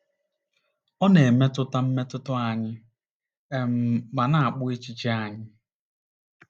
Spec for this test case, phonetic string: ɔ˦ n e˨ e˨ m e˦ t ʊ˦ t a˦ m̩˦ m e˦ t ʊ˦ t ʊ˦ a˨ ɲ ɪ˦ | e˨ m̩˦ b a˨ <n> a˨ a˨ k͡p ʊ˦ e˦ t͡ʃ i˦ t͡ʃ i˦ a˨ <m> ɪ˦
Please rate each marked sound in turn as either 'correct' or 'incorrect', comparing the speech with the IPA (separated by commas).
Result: correct, incorrect